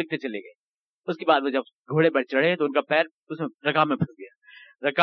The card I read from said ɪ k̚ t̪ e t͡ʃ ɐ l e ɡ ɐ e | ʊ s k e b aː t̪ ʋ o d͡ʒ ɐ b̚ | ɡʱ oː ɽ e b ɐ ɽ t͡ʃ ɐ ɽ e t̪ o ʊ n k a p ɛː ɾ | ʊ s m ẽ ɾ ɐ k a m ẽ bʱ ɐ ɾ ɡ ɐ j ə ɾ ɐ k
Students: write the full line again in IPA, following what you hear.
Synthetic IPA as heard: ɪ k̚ t̪ e t͡ʃ ɐ l e ɡ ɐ e | ʊ s k e b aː d̪ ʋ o d͡ʒ ɐ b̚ | ɡʱ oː ɽ e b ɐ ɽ t͡ʃ ɐ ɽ e t̪ o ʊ n k a p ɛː ɾ | ʊ s m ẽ ɾ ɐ k a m ẽ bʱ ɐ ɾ ɡ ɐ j a ɾ ɐ k